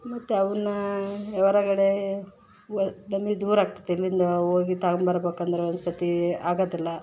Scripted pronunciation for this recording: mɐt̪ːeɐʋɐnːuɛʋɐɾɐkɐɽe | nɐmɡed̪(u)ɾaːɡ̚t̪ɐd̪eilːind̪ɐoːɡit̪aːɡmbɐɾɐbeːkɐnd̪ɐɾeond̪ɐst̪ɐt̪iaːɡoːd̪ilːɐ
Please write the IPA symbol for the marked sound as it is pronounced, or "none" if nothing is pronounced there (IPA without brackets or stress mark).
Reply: uː